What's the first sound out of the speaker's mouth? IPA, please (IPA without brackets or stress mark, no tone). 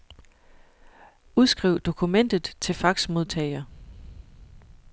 u